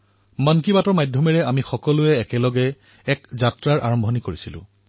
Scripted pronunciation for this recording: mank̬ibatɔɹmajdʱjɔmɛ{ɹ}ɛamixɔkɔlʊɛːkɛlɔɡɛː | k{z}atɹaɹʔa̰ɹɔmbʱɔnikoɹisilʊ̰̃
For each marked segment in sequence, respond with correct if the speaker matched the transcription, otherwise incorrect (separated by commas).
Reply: correct, correct